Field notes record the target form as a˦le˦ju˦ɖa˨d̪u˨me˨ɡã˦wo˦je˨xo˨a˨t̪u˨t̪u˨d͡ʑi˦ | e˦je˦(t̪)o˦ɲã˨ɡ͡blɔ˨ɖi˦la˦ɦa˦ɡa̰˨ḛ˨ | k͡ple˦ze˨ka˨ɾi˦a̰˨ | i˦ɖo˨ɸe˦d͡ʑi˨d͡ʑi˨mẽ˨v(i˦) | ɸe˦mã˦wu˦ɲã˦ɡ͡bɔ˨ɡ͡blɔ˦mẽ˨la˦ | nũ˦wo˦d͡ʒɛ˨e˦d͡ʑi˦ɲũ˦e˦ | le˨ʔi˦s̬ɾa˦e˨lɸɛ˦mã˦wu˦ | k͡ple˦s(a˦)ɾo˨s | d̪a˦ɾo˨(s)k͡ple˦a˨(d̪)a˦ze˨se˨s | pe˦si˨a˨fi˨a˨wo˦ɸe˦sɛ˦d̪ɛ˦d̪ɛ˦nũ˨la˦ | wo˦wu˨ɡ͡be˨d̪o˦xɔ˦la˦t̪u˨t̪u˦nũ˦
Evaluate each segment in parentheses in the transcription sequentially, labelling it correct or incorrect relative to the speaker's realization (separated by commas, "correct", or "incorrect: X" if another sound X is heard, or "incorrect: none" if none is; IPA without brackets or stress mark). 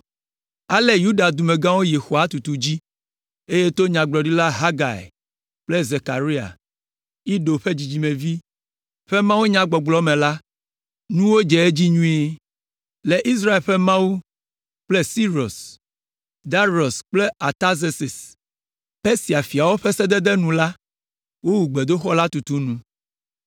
correct, correct, incorrect: i˦, correct, incorrect: t̪